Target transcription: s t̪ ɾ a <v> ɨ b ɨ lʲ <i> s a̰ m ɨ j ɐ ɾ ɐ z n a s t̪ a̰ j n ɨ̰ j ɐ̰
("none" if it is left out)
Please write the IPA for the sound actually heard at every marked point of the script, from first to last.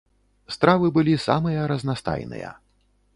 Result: v, i

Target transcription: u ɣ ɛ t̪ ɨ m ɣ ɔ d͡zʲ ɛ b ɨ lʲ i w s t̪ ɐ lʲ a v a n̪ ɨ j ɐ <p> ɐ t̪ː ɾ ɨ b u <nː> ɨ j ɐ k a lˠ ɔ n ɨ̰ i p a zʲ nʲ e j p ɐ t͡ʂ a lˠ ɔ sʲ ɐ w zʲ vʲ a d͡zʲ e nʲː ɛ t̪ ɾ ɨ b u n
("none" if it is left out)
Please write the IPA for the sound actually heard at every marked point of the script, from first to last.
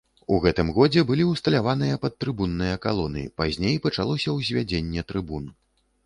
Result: p, nː

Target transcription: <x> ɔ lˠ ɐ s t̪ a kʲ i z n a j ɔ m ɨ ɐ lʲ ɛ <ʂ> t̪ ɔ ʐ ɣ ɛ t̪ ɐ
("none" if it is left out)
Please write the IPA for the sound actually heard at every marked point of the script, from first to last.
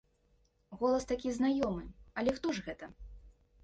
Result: ɣ, x

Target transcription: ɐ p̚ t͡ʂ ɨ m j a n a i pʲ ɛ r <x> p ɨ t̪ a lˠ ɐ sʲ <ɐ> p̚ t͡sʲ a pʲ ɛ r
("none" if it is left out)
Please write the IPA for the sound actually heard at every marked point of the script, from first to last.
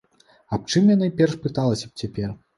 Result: ʂ, ɐ

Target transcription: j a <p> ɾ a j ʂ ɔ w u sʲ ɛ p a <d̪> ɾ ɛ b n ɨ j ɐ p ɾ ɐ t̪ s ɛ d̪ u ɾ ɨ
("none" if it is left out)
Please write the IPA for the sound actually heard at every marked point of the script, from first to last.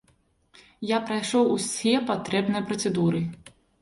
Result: p, t̪

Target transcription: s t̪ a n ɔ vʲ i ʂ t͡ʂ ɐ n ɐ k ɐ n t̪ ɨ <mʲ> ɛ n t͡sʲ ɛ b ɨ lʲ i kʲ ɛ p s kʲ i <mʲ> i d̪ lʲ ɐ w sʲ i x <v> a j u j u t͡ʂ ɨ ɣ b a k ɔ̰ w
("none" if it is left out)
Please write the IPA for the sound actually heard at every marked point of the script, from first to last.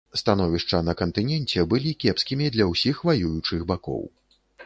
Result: nʲ, mʲ, v

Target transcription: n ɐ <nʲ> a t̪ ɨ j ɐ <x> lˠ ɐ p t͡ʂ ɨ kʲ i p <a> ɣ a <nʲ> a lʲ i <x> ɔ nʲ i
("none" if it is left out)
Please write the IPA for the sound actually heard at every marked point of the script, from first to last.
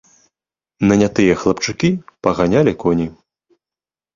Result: nʲ, x, ɐ, nʲ, k

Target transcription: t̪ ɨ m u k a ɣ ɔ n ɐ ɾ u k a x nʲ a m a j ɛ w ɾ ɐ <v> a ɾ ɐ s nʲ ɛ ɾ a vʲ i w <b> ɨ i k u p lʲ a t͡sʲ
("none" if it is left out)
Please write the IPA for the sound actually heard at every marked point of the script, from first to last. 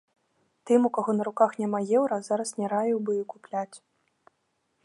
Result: z, b

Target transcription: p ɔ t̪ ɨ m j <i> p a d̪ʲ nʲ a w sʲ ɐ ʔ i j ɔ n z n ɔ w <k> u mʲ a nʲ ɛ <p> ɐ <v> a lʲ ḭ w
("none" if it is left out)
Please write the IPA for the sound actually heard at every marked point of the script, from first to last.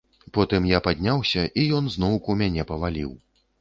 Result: a, k, p, v

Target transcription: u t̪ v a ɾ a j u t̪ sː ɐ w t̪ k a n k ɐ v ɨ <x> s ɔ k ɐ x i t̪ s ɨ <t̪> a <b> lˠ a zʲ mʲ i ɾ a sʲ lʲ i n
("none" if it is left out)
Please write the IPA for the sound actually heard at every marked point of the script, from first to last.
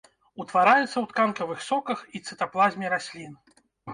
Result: x, t̪, p

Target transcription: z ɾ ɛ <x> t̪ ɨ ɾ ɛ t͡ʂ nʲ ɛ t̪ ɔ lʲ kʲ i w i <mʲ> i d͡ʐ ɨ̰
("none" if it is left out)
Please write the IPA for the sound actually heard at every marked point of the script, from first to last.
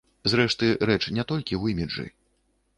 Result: ʂ, mʲ

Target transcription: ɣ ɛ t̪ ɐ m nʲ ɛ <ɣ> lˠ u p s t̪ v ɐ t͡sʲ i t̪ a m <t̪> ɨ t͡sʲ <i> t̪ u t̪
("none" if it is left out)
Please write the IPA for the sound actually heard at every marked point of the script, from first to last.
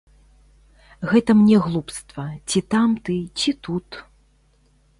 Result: ɣ, t̪, i

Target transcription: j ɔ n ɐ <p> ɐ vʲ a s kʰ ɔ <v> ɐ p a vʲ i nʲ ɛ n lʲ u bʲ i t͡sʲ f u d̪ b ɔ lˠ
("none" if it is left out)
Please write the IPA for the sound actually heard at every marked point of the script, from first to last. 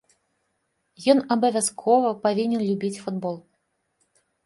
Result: b, v

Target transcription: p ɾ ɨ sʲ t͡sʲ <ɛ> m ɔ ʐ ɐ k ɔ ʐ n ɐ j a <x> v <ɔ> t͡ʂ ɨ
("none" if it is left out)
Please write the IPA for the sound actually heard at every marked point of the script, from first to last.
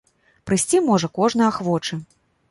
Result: i, x, ɔ

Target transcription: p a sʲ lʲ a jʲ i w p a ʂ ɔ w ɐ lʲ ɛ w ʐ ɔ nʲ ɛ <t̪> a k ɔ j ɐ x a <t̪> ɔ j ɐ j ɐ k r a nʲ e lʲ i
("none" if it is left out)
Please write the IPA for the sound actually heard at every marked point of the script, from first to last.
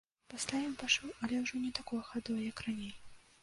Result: t̪, d̪

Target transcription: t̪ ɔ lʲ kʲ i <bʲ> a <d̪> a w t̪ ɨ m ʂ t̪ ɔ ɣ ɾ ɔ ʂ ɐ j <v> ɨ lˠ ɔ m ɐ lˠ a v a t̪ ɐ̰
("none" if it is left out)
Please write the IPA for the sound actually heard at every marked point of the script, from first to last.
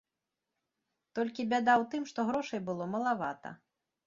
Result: bʲ, d̪, b

